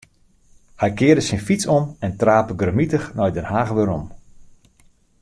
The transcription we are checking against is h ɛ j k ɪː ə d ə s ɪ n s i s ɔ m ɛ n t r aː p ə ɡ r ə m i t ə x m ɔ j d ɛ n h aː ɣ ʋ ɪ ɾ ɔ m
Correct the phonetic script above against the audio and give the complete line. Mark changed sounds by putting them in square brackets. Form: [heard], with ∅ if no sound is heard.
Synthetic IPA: h ɛ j k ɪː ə d ə s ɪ n [f] i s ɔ m ɛ n t r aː p ə ɡ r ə m i t ə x [n] ɔ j d ɛ n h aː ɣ ʋ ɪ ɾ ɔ m

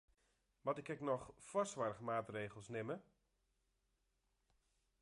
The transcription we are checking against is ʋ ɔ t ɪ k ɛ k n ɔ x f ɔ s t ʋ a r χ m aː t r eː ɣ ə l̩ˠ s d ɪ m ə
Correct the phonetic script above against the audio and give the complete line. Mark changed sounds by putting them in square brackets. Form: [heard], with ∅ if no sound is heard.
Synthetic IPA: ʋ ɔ t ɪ k ɛ k n ɔ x f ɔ s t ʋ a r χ m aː t r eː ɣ ə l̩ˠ s [n] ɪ m ə

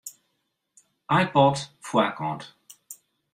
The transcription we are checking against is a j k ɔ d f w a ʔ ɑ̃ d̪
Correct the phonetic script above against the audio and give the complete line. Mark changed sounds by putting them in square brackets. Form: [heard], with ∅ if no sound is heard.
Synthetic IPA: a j [p] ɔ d f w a [k] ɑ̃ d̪

